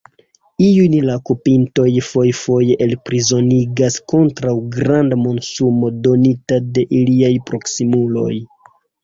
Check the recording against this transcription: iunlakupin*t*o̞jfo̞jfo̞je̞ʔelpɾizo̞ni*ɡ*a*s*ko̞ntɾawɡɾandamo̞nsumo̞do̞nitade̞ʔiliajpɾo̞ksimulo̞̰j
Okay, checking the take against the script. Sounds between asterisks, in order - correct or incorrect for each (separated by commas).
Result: correct, correct, correct